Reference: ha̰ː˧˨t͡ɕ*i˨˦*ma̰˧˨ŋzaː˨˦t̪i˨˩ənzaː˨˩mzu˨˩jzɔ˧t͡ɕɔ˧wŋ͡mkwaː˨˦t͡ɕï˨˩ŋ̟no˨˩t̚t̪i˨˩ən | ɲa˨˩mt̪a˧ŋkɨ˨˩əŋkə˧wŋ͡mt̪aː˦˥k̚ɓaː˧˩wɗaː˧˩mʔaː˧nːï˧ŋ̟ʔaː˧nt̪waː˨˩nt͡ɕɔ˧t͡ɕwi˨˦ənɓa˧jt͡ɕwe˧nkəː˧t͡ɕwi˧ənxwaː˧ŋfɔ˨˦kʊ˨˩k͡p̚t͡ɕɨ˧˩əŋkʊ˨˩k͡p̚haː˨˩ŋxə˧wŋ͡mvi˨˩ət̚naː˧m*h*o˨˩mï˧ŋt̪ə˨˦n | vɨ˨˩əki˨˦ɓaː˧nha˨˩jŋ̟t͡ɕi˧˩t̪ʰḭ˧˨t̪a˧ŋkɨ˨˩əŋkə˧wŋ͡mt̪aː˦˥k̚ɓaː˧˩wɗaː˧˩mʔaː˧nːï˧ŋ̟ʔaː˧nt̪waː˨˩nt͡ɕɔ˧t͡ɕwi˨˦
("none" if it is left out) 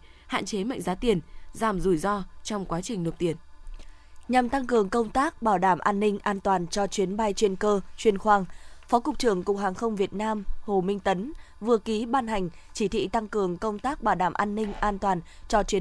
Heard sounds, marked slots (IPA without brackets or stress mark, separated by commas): e˨˦, h